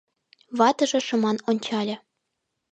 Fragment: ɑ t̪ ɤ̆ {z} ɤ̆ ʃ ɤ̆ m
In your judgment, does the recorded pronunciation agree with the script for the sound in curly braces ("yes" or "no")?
no